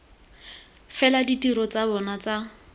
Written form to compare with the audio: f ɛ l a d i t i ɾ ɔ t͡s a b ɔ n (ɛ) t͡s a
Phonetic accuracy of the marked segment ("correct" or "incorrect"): incorrect